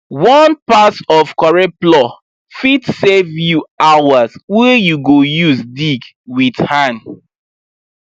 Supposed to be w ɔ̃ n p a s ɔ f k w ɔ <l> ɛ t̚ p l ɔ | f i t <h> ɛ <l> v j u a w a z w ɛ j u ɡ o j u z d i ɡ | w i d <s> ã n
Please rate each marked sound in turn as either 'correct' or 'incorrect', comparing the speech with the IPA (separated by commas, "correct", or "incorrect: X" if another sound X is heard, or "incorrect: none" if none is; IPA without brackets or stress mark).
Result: incorrect: ɹ, incorrect: s, incorrect: none, incorrect: h